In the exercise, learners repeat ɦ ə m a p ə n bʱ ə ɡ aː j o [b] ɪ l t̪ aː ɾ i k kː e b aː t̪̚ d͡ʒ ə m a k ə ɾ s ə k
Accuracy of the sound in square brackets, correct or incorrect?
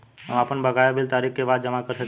correct